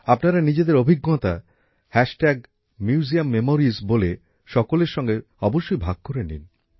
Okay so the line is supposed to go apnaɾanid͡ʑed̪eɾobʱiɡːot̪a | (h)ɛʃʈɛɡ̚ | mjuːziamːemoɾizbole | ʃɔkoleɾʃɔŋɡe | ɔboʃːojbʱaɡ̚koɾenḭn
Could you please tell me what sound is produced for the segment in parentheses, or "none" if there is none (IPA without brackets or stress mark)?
h